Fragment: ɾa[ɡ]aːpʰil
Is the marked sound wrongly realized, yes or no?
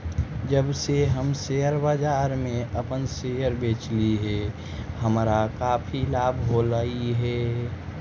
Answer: yes